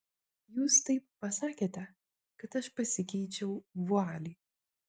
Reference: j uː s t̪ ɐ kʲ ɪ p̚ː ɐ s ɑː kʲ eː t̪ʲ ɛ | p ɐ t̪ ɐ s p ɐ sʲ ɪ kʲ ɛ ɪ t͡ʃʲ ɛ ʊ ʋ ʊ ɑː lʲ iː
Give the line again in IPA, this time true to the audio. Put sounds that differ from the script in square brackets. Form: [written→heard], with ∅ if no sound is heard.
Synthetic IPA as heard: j uː s t̪ ɐ [kʲ→∅] ɪ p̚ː ɐ s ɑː kʲ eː t̪ʲ ɛ | [p→k] ɐ t̪ ɐ [s→ʃ] p ɐ sʲ ɪ kʲ ɛ ɪ t͡ʃʲ ɛ ʊ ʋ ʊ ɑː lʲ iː